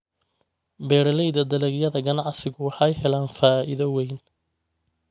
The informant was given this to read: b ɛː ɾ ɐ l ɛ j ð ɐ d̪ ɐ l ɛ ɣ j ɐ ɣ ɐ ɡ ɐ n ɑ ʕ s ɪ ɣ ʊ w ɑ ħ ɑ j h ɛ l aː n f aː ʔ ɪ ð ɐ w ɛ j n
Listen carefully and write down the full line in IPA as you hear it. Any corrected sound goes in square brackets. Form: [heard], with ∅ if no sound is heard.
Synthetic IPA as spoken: b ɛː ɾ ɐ l ɛ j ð ɐ d̪ ɐ l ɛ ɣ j ɐ [ð] ɐ ɡ ɐ n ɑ ʕ s ɪ ɣ ʊ w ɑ ħ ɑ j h ɛ l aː n f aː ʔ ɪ ð ɐ w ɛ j n